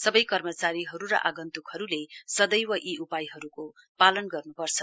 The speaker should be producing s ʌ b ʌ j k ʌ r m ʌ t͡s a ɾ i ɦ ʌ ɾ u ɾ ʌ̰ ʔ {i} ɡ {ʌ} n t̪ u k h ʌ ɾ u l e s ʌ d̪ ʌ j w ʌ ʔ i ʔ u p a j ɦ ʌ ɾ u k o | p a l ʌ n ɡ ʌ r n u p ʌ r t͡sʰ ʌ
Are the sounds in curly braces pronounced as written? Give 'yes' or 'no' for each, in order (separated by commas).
no, yes